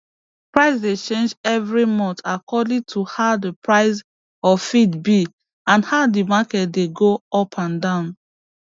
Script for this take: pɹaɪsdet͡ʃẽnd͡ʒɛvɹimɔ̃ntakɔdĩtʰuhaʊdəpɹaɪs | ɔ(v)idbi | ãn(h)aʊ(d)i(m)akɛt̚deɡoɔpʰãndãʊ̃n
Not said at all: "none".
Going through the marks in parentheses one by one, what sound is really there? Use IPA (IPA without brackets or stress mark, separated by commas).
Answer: f, h, d, m